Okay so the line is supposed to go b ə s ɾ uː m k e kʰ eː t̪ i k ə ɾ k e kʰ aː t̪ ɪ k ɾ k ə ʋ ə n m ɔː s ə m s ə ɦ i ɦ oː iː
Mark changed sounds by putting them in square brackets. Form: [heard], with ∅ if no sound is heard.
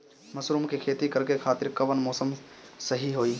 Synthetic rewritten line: [m] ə s ɾ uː m k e kʰ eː t̪ i k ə ɾ k e kʰ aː t̪ ɪ [∅] ɾ k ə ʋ ə n m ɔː s ə m s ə ɦ i ɦ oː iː